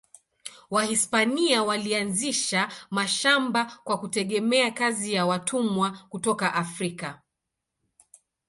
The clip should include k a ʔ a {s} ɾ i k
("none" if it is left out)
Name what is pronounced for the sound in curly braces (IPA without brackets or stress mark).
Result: f